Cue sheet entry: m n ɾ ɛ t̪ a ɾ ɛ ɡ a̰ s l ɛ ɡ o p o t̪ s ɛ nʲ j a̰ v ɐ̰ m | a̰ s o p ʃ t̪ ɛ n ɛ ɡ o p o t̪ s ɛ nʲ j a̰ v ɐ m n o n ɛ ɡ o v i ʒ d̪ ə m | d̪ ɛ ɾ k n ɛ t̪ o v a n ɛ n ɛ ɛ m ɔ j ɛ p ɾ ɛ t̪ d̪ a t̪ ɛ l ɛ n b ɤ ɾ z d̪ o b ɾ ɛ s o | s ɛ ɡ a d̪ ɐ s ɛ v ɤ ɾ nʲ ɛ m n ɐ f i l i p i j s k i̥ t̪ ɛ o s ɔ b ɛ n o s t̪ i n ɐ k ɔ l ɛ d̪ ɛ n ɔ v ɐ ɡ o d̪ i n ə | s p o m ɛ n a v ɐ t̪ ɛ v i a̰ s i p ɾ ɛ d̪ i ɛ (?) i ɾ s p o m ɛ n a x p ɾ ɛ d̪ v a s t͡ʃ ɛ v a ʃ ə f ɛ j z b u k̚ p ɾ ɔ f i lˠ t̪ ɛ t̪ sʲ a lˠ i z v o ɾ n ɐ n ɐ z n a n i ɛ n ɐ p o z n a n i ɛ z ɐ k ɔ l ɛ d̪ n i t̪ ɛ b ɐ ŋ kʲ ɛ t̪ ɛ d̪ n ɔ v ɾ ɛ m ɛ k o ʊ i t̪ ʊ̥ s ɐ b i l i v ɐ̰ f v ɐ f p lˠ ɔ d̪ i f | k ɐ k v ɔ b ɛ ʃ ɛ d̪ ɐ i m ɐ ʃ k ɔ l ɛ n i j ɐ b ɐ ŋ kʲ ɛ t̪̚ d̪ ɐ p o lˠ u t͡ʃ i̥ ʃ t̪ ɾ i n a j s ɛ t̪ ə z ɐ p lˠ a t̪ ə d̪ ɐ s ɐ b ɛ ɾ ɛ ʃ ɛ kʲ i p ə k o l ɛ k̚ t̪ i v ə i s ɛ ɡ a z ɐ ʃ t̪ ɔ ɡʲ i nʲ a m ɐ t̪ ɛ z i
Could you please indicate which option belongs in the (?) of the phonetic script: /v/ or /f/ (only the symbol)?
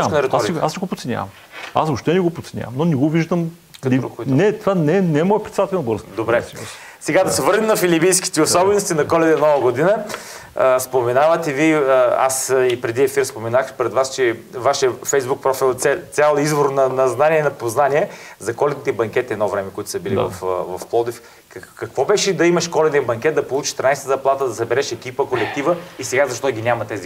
f